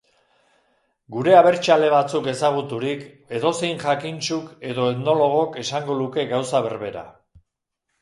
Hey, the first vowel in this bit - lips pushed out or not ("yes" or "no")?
yes